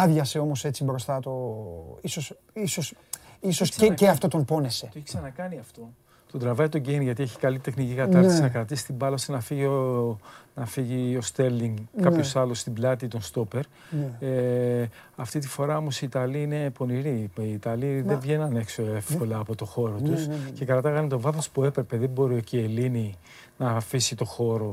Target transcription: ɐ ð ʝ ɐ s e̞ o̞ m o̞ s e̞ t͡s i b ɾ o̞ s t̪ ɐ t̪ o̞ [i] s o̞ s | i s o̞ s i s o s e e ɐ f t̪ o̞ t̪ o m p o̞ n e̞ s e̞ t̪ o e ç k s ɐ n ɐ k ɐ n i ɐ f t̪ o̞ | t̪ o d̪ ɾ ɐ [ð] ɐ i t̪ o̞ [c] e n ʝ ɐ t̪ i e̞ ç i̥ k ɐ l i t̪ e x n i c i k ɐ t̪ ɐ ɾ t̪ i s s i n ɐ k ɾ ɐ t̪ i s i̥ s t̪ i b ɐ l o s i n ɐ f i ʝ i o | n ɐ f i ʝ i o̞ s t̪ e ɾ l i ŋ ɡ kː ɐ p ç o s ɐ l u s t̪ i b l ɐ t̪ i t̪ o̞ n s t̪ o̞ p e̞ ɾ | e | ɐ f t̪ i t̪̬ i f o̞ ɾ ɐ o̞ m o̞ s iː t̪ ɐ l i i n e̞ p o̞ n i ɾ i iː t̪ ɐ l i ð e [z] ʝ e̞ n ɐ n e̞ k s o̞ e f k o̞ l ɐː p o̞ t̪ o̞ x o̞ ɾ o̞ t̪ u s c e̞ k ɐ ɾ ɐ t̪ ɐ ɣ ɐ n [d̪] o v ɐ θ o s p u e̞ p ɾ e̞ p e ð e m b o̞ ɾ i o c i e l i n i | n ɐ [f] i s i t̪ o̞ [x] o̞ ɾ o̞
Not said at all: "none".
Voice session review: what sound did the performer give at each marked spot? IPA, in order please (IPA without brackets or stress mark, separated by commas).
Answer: i, v, ɟ, v, t̪, f, x